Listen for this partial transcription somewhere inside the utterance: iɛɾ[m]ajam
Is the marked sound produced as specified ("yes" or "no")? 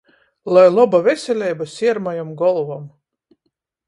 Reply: yes